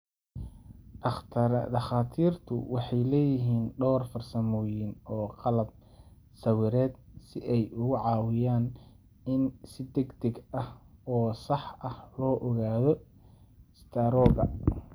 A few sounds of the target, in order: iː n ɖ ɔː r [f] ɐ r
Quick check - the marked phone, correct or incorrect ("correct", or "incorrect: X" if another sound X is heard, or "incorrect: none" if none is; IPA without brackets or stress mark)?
correct